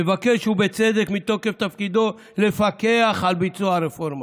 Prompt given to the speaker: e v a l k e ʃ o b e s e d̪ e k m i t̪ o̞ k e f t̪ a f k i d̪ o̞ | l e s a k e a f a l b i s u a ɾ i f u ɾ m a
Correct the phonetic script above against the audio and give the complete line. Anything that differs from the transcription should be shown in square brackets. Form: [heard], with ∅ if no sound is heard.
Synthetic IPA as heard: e v a [∅] k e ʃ [u] b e [t͡s] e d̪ e k m i t̪ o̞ k e f t̪ a f k i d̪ o̞ | l e [f] a k e a [χ] a l b i [t͡s] u a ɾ [e] f [o] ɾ m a